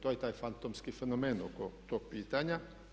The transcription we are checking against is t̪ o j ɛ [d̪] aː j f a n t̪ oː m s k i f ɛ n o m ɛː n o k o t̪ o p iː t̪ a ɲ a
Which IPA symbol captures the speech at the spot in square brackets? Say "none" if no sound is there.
t̪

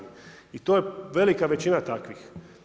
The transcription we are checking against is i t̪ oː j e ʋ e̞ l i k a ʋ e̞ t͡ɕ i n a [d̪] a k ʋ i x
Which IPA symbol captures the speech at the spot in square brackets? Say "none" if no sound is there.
t̪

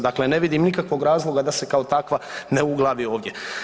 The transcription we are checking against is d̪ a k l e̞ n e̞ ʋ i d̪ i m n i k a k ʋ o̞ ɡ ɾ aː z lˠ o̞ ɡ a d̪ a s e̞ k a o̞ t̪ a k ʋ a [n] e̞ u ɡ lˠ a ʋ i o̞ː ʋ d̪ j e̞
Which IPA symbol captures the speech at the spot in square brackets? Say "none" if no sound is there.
n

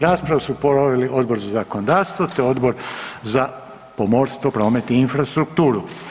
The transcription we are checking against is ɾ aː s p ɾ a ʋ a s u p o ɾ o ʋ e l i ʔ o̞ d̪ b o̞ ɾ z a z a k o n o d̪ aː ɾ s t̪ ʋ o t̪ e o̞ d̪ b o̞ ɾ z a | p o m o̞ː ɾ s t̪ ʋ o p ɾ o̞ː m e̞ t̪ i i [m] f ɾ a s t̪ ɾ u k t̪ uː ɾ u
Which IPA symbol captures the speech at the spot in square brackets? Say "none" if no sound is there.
n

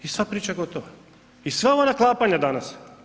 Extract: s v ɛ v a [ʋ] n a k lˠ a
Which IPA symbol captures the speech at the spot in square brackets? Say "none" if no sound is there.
none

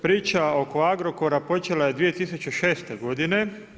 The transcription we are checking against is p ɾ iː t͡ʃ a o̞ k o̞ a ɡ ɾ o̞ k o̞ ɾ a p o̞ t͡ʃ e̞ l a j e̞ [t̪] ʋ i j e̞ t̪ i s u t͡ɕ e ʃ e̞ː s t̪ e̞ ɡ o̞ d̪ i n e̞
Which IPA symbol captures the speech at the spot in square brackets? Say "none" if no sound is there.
d̪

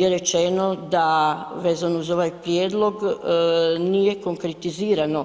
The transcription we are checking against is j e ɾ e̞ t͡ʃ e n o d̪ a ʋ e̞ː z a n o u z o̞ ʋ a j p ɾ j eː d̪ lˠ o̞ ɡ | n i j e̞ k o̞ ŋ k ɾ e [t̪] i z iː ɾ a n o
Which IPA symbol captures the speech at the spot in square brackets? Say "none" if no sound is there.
t̪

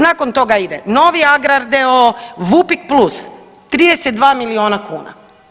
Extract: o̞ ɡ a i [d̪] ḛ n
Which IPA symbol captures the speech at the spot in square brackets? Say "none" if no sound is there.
d̪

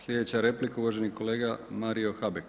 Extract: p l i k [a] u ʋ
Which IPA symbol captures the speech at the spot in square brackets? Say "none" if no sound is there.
a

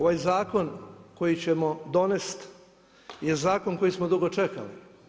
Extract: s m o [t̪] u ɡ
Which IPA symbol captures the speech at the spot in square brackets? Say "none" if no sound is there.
d̪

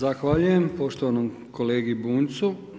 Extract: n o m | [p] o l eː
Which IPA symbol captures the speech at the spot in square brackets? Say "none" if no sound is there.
k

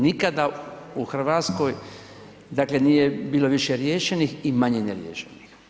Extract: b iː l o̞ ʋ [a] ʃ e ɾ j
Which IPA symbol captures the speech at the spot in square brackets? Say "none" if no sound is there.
i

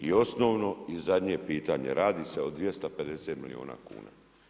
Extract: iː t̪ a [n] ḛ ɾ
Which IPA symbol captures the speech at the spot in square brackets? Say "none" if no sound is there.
ɲ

